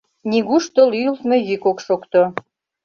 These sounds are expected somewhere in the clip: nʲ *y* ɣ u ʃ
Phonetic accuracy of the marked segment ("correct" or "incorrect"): incorrect